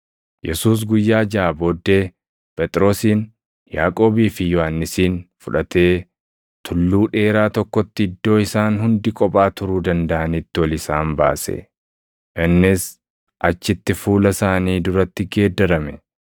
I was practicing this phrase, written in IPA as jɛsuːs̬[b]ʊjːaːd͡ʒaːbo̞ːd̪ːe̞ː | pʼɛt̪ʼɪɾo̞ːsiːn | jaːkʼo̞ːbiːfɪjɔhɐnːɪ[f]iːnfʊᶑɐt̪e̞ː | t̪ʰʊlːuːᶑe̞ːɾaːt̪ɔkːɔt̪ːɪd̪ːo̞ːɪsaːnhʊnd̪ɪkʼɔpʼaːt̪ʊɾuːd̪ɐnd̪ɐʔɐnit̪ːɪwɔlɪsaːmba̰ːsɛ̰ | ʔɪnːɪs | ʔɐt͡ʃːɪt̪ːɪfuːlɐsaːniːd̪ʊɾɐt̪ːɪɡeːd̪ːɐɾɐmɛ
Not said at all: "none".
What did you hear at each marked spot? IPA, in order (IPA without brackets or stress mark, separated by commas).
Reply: ɡ, s